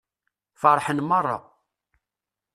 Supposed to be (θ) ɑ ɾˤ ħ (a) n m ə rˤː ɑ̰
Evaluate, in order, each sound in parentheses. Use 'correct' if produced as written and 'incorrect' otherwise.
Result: incorrect, incorrect

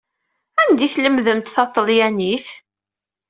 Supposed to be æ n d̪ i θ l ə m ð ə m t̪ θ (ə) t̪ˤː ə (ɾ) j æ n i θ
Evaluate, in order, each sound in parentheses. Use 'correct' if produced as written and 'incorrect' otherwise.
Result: incorrect, incorrect

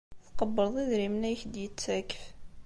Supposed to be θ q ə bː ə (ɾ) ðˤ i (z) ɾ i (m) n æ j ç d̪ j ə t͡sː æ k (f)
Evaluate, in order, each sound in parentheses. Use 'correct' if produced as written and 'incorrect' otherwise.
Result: correct, incorrect, correct, correct

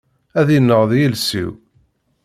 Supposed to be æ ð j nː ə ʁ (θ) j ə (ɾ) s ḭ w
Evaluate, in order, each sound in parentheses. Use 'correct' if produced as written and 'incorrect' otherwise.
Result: incorrect, incorrect

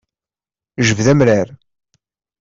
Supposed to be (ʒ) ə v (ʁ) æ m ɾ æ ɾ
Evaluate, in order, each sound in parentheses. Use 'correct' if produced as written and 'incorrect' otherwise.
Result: correct, incorrect

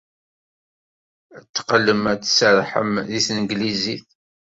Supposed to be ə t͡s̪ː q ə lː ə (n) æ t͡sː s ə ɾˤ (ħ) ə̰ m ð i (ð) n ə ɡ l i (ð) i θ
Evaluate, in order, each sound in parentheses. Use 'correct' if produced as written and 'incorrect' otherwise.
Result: incorrect, correct, incorrect, incorrect

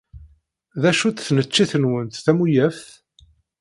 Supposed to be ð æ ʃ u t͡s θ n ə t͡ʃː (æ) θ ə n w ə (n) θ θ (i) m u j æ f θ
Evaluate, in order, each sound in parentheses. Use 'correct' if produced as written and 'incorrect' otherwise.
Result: incorrect, correct, incorrect

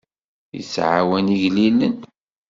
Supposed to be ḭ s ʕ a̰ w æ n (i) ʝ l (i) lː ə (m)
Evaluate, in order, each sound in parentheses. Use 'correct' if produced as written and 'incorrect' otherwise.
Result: correct, correct, incorrect

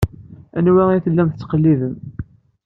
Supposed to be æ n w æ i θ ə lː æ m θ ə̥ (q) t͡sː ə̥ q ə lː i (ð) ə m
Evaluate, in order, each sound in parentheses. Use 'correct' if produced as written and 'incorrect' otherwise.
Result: incorrect, correct

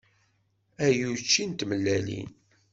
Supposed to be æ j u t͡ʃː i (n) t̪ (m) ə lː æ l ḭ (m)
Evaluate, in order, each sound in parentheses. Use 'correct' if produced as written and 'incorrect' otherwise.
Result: correct, correct, incorrect

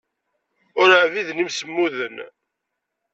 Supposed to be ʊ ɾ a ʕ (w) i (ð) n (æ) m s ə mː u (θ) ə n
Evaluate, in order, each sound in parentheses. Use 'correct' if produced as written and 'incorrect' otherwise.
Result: incorrect, correct, incorrect, incorrect

